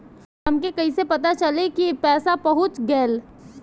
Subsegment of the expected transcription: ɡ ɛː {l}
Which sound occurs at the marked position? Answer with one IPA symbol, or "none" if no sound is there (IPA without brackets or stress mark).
l